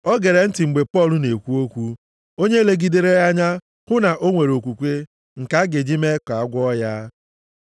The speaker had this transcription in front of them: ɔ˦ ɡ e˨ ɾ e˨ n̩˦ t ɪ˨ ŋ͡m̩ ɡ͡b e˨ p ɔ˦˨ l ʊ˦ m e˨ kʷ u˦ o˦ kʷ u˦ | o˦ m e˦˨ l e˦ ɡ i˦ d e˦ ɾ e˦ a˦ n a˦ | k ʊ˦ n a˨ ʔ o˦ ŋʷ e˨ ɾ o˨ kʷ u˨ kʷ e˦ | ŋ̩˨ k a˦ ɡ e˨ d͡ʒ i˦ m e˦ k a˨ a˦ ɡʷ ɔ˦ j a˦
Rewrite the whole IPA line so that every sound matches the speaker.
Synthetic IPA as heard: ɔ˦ ɡ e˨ ɾ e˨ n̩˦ t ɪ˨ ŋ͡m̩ ɡ͡b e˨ p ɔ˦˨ l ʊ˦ n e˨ kʷ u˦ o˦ kʷ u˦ | o˦ ɲ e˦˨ l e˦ ɡ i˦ d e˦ ɾ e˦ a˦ ɲ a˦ | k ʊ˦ n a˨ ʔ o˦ ŋʷ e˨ ɾ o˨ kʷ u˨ kʷ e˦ | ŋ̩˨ k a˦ ɡ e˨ d͡ʒ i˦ m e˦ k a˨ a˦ ɡʷ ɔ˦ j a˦